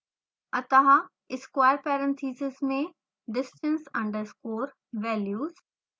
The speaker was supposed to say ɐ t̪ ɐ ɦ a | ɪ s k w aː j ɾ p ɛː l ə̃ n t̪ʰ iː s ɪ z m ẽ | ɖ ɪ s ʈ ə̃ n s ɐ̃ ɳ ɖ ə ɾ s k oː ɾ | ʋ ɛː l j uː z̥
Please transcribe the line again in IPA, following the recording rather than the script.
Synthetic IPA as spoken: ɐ t̪ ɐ ɦ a | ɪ s k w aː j ɾ p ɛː ɾ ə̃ n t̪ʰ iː s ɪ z m ẽ | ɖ ɪ s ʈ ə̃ n s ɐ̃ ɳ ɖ ə ɾ s k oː ɾ | ʋ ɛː l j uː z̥

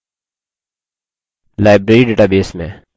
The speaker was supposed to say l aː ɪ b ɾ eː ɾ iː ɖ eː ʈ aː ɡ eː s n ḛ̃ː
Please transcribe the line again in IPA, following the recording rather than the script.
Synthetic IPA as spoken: l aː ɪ b ɾ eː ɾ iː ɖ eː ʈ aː b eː s m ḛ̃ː

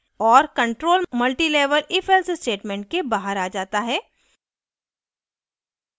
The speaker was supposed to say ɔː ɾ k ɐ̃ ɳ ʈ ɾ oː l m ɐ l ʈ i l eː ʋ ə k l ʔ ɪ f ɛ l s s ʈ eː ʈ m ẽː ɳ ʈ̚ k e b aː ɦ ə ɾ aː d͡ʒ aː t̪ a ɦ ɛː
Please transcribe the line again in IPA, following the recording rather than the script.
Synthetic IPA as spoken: ɔː ɾ k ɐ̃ ɳ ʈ ɾ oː l m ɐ l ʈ i l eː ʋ ə l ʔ ɪ f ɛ l s s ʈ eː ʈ m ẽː ɳ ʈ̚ k e b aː ɦ ə ɾ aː d͡ʒ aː t̪ a ɦ ɛː

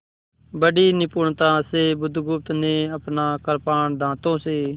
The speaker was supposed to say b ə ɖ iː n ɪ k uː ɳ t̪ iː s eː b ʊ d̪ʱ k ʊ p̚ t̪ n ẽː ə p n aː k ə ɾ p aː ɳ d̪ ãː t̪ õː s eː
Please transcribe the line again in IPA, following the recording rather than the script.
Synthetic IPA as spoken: b ə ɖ iː n ɪ p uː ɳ t̪ aː s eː b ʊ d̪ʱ ɡ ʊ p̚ t̪ n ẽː ə p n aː k ə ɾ p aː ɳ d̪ ãː t̪ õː s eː

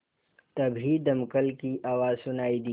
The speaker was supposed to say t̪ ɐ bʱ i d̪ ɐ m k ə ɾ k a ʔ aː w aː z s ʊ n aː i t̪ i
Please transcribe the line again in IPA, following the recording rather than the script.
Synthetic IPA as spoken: t̪ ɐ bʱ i d̪ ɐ m k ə l k i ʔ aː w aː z s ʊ n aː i d̪ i

